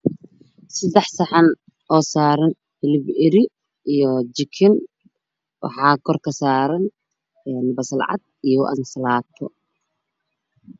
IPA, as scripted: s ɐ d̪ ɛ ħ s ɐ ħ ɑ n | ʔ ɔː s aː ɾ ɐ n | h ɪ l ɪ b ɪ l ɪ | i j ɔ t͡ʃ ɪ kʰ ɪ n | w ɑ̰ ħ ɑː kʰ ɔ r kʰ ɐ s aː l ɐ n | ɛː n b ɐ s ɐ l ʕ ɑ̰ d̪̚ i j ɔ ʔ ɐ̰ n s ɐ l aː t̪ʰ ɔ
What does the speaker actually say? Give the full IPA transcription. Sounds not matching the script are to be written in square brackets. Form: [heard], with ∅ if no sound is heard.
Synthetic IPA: s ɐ d̪ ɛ ħ s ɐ ħ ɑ n | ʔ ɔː s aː ɾ ɐ n | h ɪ l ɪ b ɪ [ɾ] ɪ | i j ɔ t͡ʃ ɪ kʰ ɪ n | w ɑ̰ ħ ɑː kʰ ɔ r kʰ ɐ s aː [ɾ] ɐ n | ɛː n b ɐ s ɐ l ʕ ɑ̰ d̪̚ i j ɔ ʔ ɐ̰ n s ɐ l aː t̪ʰ ɔ